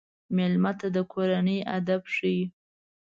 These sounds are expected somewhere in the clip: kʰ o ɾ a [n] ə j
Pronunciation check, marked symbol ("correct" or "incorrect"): correct